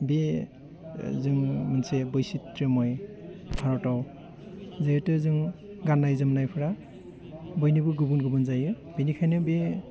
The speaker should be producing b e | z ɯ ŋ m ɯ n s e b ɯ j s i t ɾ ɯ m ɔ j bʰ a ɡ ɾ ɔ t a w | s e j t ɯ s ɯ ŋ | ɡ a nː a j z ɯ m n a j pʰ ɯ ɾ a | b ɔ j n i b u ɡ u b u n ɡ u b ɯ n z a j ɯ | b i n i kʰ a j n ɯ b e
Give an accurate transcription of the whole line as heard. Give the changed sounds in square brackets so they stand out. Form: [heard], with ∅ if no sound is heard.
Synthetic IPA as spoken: b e | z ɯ ŋ m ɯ n s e b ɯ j s i t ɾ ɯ m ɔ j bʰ a [∅] ɾ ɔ t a w | [z] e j t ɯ [z] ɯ ŋ | ɡ a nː a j z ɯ m n a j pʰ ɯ ɾ a | b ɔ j n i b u ɡ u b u n ɡ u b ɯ n z a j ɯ | b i n i kʰ a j n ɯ b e